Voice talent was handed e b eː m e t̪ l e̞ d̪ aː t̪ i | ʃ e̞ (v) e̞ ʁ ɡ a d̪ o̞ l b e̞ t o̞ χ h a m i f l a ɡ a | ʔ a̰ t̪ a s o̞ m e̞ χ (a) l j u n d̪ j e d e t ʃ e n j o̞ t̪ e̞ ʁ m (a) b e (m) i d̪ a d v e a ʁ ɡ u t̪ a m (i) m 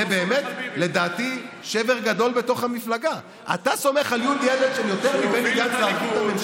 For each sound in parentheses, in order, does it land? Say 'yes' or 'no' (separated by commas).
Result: yes, yes, no, no, no